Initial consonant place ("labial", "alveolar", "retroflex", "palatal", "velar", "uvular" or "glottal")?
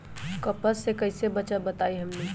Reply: velar